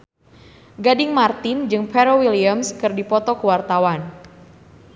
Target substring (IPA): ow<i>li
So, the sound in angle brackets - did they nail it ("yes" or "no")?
yes